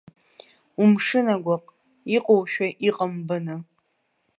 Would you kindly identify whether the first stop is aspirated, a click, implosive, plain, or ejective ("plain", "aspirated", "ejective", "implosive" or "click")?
plain